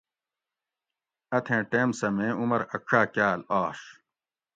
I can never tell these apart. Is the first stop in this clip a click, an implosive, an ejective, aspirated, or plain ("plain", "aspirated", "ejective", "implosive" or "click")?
aspirated